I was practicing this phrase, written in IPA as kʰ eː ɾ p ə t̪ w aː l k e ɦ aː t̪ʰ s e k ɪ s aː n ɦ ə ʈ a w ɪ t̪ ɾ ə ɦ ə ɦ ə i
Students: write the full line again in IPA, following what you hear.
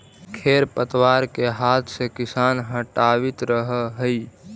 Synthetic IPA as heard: kʰ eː ɾ p ə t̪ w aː ɾ k e ɦ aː t̪ʰ s e k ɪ s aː n ɦ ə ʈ a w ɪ t̪ ɾ ə ɦ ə ɦ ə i